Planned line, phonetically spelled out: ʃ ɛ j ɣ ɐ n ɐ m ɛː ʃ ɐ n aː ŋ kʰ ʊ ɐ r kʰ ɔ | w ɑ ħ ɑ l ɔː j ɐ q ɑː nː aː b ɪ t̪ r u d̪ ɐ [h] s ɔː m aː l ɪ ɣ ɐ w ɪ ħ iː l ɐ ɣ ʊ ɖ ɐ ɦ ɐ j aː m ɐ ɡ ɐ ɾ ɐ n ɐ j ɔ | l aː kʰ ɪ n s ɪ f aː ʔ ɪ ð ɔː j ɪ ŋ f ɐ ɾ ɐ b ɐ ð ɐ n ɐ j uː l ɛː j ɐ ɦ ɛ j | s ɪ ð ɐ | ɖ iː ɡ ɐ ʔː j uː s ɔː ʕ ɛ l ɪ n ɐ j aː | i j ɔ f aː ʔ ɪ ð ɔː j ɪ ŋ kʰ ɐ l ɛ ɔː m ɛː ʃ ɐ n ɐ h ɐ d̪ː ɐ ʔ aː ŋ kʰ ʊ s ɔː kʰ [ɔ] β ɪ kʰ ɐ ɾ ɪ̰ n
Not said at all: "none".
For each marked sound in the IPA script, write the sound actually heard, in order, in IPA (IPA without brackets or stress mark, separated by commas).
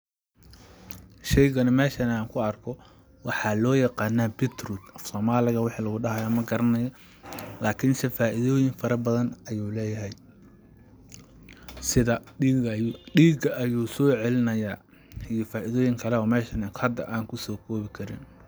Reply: f, ɔː